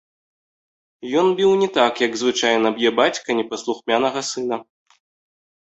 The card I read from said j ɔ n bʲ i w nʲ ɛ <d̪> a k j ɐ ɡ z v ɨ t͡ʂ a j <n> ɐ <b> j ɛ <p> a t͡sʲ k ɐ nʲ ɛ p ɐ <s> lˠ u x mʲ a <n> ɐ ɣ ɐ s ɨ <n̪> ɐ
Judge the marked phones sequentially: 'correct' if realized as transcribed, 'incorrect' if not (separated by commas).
incorrect, correct, correct, incorrect, correct, correct, correct